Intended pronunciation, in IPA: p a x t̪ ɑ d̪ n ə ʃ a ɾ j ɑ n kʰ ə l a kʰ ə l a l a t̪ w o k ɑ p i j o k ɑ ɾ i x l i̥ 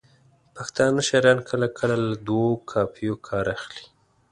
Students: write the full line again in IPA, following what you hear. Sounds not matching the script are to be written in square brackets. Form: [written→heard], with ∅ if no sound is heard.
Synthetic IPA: p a x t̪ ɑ [d̪→∅] n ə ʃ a ɾ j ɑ n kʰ ə l a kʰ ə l a l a [t̪→d̪] w o [k→kʰ] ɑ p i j o [k→kʰ] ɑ ɾ [i→a] x l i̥